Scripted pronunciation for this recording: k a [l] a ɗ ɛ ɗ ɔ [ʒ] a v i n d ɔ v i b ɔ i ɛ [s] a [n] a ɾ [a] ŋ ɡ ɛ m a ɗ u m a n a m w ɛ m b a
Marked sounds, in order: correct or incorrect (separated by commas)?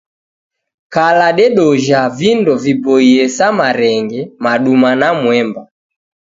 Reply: correct, correct, correct, incorrect, incorrect